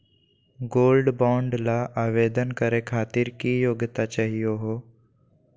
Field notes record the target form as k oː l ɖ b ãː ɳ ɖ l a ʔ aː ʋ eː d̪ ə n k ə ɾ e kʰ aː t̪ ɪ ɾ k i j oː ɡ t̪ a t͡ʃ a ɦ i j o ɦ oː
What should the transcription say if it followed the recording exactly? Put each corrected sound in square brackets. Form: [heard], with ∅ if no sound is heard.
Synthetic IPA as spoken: [ɡ] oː l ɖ b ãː ɳ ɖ l a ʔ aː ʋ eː d̪ ə n k ə ɾ e kʰ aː t̪ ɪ ɾ k i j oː ɡ t̪ a t͡ʃ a ɦ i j o ɦ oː